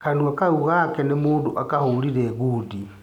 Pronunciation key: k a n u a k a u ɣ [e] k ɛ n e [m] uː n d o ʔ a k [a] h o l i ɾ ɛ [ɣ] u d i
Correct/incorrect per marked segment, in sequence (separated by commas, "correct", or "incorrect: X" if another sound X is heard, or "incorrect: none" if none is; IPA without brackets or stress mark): incorrect: a, correct, correct, correct